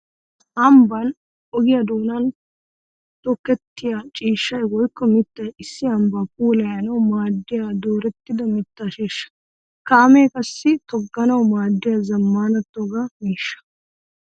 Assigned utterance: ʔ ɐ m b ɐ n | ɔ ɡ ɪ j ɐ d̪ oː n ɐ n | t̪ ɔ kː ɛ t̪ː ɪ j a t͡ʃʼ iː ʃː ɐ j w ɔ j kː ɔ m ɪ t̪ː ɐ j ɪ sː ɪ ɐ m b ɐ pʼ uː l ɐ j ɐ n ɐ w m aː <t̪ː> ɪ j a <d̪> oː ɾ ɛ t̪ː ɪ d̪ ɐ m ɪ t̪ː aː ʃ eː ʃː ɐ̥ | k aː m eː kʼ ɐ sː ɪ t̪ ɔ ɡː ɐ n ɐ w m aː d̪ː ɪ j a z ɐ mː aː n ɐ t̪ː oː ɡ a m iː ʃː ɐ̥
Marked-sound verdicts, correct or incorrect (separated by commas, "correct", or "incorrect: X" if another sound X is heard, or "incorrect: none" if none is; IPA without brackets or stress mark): incorrect: d̪ː, correct